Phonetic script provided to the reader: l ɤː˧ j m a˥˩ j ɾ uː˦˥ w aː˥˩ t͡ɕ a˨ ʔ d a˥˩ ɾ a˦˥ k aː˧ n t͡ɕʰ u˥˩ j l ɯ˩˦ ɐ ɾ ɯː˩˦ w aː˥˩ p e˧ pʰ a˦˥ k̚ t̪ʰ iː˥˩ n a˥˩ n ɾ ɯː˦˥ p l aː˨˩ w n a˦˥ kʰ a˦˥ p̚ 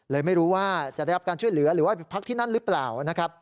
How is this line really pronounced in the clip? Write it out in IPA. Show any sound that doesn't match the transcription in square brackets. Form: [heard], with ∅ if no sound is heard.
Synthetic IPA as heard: l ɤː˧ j m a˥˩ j ɾ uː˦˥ w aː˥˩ t͡ɕ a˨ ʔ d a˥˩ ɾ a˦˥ k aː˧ n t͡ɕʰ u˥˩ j l ɯ˩˦ ɐ ɾ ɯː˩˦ w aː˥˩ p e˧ pʰ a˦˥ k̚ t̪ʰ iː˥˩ n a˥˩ n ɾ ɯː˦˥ p l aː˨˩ w n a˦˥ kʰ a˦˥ p̚